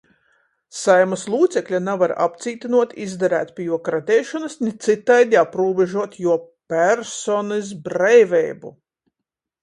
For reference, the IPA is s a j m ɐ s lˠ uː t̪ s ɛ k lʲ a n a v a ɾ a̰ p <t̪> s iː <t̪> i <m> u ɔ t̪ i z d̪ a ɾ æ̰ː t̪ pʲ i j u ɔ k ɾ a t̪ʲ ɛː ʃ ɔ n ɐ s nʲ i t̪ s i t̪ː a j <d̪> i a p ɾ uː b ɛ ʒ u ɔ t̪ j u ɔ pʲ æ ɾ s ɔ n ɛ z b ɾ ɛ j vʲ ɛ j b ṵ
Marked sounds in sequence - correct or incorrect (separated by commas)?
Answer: correct, correct, incorrect, correct